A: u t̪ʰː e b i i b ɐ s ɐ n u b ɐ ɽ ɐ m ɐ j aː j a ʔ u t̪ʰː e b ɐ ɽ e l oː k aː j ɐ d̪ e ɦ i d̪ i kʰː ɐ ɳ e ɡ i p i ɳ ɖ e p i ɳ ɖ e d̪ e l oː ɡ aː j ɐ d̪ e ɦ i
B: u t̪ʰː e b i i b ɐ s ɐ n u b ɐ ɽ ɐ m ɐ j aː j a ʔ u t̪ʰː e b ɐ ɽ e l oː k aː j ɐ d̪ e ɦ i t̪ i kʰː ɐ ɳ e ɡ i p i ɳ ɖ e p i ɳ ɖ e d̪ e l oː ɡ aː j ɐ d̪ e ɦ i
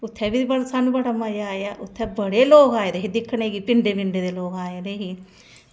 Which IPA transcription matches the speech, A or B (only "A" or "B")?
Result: A